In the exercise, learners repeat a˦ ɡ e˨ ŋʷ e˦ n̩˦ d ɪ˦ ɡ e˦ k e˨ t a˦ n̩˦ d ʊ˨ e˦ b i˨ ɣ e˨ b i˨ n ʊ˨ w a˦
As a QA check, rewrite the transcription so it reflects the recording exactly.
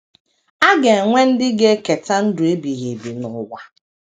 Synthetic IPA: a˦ ɡ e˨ ŋʷ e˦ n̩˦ d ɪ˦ ɡ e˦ k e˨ t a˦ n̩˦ d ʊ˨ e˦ b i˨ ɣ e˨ b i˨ n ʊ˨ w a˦